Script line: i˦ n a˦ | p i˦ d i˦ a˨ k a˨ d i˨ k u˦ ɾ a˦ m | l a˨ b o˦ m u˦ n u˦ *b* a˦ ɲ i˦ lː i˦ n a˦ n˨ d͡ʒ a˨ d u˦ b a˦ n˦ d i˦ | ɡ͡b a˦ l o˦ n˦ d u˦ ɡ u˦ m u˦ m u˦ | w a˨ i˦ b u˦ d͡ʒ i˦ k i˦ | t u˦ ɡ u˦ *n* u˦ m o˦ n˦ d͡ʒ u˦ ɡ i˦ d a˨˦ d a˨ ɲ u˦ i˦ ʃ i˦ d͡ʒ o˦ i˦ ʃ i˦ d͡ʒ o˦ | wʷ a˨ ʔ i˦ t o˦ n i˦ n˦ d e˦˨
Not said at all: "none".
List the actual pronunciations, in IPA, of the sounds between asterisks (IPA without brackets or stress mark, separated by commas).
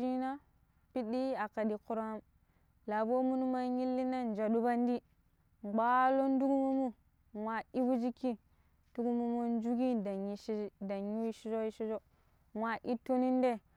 m, m